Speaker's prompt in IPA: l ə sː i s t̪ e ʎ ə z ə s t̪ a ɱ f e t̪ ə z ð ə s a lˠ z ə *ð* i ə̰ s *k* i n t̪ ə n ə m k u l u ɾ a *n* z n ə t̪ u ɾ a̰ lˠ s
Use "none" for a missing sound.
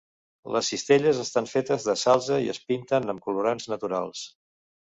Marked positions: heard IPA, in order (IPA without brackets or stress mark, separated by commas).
none, p, n